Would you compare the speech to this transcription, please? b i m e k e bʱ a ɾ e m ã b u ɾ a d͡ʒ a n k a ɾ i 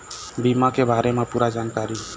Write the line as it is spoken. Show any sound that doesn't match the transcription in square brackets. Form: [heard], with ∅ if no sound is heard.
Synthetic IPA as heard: b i m [a] k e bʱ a ɾ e m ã [p] u ɾ a d͡ʒ a n k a ɾ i